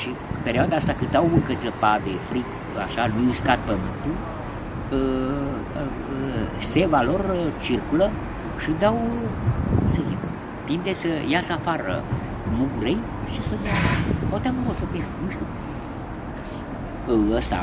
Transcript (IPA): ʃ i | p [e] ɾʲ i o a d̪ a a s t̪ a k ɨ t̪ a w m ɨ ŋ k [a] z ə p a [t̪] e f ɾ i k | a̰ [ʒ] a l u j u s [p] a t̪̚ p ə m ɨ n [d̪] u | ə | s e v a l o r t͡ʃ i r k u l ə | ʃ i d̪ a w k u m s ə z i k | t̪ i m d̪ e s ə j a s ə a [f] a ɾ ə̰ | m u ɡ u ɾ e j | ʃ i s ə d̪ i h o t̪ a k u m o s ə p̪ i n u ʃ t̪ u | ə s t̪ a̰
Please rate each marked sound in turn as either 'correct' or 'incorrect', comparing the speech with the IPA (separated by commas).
correct, incorrect, incorrect, incorrect, incorrect, incorrect, correct